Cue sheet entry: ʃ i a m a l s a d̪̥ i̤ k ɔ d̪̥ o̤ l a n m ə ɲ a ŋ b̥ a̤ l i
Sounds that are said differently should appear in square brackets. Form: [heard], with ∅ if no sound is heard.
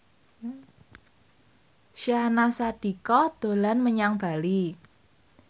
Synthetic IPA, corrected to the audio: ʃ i a [n] a [∅] s a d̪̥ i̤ k ɔ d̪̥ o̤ l a n m ə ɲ a ŋ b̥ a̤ l i